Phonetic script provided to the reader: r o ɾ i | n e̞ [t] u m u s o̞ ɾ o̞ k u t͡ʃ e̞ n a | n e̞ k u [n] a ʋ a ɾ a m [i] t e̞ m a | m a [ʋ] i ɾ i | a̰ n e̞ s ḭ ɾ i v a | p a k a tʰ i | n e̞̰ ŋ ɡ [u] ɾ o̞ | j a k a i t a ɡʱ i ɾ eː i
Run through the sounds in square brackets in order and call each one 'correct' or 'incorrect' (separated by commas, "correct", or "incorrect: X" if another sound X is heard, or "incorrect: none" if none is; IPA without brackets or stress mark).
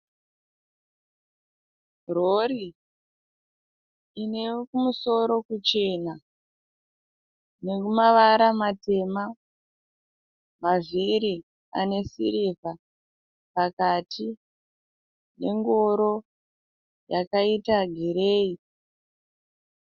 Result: incorrect: k, incorrect: m, incorrect: a, incorrect: v, incorrect: o